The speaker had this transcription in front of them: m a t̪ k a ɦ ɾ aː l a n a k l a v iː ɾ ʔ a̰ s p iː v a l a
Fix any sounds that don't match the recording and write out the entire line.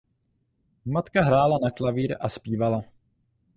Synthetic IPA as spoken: m a t̪ k a ɦ ɾ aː l a n a k l a v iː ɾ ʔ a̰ s p iː v a l a